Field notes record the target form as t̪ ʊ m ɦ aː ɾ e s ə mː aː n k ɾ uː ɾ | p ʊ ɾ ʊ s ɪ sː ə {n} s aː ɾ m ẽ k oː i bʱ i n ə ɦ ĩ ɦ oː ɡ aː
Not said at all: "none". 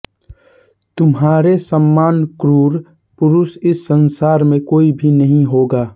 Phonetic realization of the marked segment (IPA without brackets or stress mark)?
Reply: n